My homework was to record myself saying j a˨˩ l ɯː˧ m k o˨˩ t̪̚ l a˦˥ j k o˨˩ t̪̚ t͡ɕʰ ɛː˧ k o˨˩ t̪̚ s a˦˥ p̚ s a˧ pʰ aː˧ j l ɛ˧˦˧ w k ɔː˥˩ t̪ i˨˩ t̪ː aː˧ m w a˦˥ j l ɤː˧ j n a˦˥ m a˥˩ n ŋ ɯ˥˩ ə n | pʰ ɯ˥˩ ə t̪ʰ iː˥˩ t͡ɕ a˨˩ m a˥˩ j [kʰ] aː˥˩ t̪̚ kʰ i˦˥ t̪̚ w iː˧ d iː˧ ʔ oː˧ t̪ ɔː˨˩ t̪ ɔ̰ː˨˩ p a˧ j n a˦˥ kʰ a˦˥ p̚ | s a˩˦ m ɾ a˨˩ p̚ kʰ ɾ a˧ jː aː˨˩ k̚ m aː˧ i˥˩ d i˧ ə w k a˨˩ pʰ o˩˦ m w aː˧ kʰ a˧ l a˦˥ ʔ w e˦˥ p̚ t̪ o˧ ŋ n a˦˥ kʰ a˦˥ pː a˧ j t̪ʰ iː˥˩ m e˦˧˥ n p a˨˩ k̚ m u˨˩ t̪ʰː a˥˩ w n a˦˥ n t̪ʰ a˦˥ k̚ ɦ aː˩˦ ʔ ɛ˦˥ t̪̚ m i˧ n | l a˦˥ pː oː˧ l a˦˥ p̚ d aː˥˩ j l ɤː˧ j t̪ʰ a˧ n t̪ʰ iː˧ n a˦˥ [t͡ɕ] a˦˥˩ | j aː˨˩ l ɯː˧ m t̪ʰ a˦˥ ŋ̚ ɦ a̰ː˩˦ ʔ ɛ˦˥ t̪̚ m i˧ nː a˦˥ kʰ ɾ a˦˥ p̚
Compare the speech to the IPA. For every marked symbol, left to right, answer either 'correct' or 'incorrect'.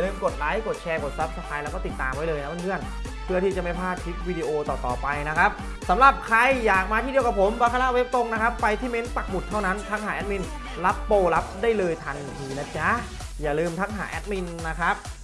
incorrect, correct

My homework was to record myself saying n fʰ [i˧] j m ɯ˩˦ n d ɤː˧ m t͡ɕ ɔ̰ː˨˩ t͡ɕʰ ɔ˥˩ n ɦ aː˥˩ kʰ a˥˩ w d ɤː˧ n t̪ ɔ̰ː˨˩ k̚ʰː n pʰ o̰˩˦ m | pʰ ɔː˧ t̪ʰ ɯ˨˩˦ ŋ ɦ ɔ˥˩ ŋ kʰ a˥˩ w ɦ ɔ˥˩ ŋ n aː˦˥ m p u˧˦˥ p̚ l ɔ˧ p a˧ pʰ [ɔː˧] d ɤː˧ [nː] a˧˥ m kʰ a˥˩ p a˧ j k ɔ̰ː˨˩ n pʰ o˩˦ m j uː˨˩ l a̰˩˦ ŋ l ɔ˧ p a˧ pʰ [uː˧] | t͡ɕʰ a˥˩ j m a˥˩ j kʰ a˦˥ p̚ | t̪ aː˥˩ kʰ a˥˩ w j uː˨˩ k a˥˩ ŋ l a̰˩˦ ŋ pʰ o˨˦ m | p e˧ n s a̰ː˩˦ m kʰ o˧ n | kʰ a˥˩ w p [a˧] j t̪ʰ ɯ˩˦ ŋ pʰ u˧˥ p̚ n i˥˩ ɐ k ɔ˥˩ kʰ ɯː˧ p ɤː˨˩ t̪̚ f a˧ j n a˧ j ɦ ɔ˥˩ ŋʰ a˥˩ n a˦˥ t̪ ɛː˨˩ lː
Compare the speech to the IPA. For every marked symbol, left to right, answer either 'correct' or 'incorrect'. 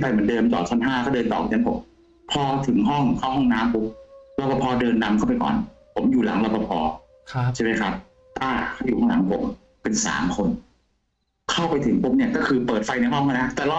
incorrect, correct, correct, incorrect, correct

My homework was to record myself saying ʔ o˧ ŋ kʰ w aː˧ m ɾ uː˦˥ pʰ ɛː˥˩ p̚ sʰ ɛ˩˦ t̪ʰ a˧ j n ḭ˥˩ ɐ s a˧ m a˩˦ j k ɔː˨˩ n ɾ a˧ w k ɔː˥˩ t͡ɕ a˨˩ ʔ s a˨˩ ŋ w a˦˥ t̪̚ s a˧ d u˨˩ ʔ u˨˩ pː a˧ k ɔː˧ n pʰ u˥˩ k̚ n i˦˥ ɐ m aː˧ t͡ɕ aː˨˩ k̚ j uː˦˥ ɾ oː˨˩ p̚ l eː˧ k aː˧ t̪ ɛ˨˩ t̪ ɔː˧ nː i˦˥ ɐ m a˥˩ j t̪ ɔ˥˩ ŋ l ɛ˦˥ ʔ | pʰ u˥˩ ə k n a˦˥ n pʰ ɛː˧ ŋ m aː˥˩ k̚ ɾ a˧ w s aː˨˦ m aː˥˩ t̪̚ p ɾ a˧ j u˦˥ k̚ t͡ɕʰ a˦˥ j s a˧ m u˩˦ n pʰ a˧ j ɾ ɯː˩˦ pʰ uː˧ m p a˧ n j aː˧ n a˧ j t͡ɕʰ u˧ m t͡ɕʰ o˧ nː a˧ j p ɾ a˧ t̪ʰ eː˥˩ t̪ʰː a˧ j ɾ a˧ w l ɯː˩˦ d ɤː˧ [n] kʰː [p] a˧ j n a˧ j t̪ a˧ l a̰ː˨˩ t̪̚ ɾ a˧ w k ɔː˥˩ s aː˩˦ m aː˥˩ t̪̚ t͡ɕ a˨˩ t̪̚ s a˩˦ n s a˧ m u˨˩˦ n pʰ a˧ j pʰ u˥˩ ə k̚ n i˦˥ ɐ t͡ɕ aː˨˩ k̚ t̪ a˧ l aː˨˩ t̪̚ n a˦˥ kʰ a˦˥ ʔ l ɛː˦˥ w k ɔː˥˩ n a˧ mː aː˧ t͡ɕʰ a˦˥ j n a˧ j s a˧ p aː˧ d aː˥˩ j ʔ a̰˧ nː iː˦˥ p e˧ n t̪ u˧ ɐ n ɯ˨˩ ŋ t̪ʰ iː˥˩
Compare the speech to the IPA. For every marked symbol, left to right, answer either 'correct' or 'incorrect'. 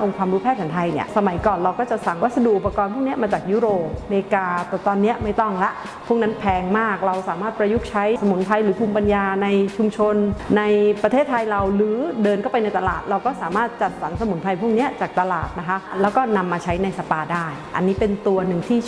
correct, correct

